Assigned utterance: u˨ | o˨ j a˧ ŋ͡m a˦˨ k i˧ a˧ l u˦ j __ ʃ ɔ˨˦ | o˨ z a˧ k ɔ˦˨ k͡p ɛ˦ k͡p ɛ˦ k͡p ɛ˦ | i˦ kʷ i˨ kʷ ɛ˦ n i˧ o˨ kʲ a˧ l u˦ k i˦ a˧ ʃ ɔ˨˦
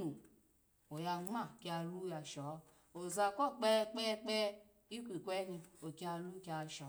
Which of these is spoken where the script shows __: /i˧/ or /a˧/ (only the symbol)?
a˧